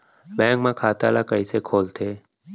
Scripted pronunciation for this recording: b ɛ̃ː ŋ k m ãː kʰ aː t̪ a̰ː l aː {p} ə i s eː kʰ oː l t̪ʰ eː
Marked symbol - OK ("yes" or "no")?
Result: no